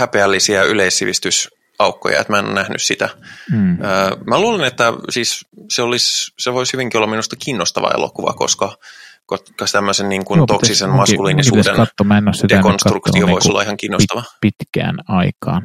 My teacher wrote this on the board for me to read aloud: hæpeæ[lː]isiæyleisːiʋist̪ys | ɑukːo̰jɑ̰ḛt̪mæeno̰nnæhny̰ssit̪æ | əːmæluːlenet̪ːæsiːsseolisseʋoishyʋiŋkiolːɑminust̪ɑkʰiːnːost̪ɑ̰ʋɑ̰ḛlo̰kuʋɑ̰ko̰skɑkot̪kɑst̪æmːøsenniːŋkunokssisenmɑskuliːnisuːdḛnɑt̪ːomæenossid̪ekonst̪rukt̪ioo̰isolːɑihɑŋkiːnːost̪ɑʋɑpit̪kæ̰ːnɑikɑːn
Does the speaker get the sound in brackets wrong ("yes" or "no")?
no